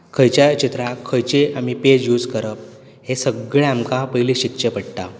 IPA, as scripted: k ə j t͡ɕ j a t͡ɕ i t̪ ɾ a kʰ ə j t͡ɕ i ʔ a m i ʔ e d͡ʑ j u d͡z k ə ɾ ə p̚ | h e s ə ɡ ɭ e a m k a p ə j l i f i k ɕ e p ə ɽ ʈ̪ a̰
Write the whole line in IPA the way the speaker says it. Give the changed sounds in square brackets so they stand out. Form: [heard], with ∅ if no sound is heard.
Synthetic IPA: [kʰ] ə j t͡ɕ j a t͡ɕ i t̪ ɾ a kʰ ə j t͡ɕ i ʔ a m i [p] e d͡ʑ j u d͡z k ə ɾ ə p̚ | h e s ə ɡ ɭ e a m k a p ə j l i [ɕ] i k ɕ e p ə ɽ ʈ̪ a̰